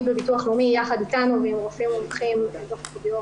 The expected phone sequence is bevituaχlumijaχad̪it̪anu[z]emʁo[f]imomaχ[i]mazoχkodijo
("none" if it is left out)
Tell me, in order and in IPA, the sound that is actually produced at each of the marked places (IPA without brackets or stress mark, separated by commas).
v, f, i